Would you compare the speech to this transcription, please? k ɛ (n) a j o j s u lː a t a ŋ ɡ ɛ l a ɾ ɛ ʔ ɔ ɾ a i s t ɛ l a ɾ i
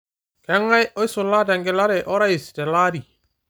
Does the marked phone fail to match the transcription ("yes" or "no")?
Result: yes